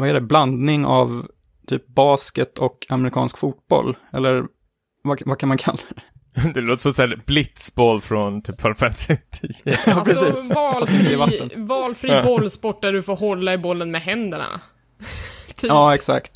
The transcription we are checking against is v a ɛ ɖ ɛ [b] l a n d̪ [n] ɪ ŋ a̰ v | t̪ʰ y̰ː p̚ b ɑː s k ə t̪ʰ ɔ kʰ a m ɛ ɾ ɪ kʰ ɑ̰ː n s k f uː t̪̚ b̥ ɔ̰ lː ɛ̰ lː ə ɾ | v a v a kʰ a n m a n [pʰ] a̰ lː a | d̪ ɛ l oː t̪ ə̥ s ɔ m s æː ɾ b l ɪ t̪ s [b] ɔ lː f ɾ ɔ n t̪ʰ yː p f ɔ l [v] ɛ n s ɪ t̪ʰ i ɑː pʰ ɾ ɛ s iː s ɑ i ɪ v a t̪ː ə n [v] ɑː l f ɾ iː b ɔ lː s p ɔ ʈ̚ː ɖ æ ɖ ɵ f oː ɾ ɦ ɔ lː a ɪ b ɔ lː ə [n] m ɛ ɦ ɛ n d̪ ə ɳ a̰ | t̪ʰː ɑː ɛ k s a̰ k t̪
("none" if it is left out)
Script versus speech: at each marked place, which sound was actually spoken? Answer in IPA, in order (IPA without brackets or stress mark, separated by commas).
b, n, kʰ, b, f, v, n